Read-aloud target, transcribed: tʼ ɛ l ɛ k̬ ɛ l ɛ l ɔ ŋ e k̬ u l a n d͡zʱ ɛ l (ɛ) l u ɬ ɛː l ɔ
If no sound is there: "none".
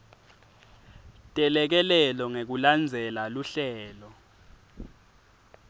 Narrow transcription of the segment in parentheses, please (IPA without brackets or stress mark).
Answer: a